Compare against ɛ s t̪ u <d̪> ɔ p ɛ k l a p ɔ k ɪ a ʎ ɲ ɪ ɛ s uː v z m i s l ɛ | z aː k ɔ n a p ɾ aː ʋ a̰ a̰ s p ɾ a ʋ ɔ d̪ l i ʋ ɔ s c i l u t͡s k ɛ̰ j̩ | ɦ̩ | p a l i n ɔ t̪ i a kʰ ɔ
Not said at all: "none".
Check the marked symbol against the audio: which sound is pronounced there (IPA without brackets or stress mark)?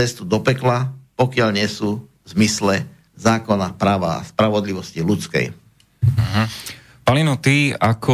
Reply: d̪